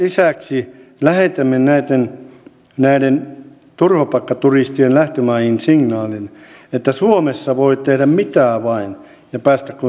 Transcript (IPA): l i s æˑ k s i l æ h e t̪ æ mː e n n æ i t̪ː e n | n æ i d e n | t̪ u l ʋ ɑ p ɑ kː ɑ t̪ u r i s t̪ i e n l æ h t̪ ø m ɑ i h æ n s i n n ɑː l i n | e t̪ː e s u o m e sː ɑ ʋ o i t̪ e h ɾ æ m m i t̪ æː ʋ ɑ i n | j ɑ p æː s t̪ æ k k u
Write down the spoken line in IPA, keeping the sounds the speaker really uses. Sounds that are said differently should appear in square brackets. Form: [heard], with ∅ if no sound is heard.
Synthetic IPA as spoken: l i s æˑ k s i l æ h e t̪ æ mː e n n æ i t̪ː e n | n æ i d e n | t̪ u [r] ʋ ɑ p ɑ kː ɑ t̪ u r i s t̪ i e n l æ h t̪ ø m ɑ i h [i] n s i [ŋ] n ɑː l i n | e t̪ː [æ] s u o m e sː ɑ ʋ o i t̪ e h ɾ æ m m i t̪ æː ʋ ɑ i n | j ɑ p æː s t̪ æ k k u